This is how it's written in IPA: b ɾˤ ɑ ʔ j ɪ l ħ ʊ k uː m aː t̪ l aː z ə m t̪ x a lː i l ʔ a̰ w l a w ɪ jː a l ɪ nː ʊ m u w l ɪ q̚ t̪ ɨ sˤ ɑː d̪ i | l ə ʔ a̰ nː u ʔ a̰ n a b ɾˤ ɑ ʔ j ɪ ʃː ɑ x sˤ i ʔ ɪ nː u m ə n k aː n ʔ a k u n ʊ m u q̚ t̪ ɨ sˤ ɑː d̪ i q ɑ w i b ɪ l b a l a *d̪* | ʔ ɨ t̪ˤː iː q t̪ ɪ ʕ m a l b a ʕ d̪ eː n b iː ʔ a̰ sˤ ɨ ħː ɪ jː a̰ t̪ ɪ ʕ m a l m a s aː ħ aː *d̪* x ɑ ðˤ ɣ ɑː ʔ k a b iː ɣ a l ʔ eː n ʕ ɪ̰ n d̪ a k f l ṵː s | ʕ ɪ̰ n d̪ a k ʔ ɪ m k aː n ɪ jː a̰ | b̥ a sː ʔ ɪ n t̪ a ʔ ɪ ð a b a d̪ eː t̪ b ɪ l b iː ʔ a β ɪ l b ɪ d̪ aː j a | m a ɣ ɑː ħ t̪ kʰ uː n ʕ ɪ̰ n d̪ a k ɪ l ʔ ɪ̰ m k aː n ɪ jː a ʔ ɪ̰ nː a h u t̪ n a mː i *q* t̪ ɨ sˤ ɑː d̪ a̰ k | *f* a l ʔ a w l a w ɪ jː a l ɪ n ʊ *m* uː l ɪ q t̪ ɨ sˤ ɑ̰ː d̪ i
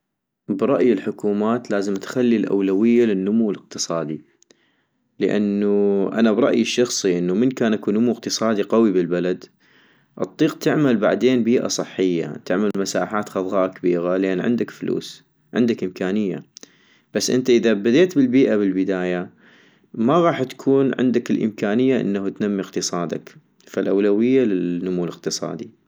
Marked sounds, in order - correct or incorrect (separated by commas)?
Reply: correct, incorrect, correct, correct, correct